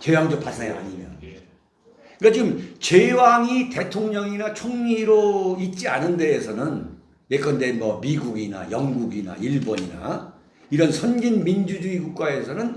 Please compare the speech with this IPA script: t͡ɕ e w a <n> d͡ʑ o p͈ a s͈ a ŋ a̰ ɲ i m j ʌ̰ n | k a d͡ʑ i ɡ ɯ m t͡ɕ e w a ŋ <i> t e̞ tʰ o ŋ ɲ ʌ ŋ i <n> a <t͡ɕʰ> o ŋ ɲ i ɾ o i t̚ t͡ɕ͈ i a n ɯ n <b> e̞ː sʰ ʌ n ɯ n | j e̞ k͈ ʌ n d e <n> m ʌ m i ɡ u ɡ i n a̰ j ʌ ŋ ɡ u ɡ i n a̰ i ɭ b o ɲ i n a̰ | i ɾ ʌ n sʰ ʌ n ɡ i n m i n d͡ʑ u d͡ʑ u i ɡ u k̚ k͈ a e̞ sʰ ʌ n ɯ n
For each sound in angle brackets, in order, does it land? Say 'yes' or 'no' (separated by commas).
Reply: no, yes, yes, yes, no, yes